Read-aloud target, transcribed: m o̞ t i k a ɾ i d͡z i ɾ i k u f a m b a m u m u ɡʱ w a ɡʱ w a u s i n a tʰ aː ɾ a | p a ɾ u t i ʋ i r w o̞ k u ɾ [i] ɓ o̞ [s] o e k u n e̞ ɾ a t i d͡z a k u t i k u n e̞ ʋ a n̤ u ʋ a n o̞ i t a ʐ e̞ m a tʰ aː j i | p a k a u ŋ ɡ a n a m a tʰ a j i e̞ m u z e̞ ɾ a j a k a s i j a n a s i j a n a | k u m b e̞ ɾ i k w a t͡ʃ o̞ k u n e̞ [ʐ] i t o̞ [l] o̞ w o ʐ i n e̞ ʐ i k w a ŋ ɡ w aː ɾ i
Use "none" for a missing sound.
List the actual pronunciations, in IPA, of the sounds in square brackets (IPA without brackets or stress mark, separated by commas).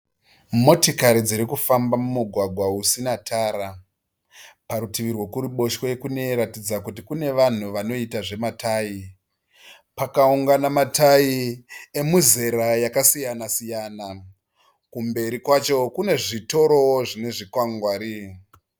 i, ʃ, ʐ, ɾ